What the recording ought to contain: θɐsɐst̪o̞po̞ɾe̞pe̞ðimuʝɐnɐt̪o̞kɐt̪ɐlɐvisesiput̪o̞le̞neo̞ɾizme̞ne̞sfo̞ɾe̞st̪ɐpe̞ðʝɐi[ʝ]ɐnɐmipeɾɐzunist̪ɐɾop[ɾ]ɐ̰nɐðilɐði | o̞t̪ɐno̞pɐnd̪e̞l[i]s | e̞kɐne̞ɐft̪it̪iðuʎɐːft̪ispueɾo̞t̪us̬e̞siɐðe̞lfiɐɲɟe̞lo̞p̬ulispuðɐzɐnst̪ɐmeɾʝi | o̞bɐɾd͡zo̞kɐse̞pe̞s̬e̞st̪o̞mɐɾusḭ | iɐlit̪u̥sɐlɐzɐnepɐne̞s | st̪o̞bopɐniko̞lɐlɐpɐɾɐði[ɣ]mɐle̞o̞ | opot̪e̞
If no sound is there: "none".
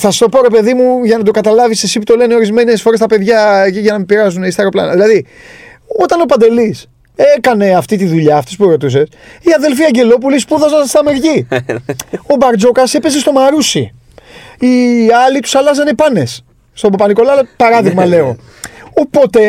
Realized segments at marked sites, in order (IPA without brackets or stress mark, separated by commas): ʝ, l, i, ɣ